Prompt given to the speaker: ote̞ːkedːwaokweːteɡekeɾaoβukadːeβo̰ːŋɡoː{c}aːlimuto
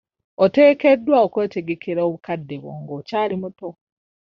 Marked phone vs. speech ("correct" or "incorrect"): correct